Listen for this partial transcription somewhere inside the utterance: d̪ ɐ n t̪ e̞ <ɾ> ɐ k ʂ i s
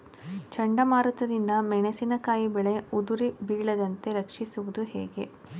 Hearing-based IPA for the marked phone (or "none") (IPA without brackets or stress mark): ɾ